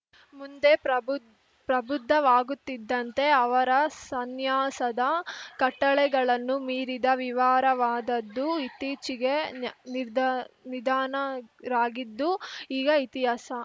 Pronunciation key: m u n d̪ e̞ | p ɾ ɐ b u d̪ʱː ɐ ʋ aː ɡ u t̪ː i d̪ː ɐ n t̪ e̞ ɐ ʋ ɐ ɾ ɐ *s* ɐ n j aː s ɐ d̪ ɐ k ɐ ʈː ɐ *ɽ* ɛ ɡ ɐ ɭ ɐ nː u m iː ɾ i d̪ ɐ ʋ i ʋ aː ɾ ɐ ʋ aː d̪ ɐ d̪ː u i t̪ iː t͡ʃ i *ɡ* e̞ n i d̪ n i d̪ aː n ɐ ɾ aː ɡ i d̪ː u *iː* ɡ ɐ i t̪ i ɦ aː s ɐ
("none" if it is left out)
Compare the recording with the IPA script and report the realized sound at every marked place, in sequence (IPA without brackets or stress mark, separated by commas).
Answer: s, ɭ, ɡ, iː